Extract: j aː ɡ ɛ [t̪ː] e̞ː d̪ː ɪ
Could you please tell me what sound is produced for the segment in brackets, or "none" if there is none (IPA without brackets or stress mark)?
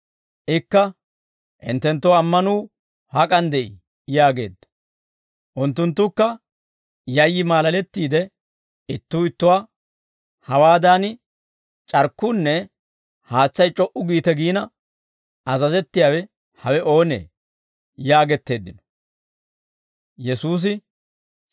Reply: t̪ː